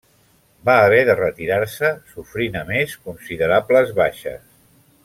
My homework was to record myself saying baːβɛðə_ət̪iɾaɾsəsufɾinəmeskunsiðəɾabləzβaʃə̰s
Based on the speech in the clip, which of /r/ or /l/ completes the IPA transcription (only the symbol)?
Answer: r